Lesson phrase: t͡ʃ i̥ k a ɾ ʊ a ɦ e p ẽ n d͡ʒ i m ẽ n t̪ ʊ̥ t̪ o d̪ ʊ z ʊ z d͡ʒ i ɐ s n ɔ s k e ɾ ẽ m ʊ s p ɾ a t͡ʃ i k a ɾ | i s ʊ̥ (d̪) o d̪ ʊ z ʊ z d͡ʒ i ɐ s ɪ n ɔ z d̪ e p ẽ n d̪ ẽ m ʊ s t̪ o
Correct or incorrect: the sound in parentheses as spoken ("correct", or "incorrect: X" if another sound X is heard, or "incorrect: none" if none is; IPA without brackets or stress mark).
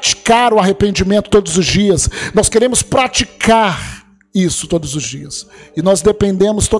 incorrect: t̪